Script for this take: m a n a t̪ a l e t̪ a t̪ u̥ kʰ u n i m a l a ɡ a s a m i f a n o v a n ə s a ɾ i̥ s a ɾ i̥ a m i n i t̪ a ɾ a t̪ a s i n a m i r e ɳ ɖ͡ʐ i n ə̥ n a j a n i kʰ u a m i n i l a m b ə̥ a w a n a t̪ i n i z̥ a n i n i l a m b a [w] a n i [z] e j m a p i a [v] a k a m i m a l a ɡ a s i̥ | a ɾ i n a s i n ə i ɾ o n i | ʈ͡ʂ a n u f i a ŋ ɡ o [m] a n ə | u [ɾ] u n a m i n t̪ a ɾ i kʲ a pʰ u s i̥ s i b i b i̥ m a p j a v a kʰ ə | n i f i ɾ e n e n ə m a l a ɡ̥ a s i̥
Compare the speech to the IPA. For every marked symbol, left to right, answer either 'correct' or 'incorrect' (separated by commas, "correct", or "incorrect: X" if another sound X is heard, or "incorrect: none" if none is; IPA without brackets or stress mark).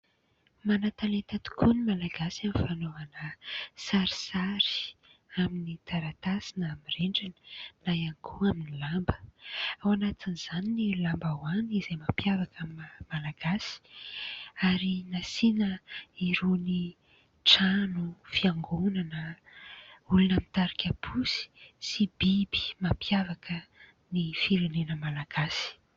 correct, correct, correct, incorrect: n, incorrect: l